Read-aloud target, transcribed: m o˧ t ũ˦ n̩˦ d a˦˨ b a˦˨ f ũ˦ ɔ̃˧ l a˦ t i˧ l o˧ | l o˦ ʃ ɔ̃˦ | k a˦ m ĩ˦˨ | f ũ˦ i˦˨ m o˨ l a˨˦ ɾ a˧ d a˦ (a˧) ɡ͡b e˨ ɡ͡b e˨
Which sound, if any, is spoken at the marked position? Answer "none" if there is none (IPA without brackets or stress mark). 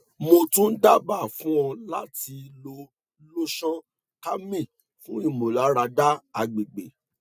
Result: a˧